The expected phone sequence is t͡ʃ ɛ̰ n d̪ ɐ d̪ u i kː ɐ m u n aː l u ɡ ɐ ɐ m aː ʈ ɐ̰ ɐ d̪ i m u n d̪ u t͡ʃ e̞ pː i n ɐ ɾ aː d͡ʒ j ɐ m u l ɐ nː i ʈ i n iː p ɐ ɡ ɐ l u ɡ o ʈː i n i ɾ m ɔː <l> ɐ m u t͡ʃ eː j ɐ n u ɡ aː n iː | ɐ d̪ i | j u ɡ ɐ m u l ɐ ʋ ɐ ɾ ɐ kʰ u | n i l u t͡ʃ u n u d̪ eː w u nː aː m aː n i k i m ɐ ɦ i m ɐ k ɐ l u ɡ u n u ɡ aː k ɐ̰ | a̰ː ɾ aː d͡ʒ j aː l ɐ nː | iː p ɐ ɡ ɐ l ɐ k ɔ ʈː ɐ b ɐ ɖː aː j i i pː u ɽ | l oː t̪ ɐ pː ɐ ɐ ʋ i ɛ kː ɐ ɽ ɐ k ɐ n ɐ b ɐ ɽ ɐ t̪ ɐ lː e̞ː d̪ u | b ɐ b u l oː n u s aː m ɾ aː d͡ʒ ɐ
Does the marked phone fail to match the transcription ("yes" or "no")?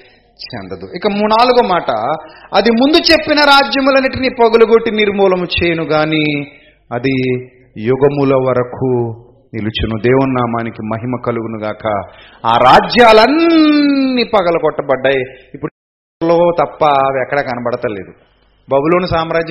no